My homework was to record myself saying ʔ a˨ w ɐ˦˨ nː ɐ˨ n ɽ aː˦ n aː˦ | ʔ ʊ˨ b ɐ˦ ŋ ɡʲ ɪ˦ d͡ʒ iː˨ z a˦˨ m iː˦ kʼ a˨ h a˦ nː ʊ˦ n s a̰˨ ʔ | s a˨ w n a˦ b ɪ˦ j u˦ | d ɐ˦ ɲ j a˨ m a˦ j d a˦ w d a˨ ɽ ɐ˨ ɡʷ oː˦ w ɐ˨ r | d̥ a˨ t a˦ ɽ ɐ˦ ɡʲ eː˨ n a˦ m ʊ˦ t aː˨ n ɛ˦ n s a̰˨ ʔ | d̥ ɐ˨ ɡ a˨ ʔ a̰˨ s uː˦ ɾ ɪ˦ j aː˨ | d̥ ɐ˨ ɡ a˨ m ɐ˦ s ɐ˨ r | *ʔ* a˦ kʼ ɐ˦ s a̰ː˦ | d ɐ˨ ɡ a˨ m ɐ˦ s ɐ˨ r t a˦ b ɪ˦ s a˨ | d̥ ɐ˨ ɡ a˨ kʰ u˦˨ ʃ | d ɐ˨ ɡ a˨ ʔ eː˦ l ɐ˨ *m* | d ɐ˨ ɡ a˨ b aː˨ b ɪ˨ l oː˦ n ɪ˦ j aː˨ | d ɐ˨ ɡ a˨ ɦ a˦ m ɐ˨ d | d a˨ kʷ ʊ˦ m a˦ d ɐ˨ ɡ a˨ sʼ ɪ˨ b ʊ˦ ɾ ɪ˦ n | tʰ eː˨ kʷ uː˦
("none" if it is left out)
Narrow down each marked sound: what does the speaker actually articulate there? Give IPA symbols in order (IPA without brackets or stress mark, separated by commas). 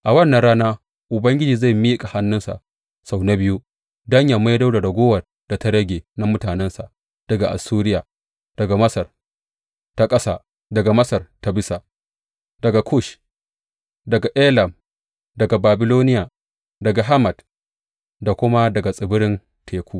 t, m